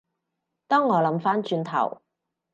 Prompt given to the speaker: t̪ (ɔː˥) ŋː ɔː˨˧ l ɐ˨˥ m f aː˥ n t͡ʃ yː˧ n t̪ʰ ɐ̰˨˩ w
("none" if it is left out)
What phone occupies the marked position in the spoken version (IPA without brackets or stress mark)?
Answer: ɔː˥